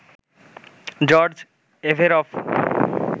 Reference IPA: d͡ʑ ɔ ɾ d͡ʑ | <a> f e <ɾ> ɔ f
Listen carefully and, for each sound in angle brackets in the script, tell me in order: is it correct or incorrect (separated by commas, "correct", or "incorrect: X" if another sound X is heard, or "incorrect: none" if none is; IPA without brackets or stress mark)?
incorrect: e, correct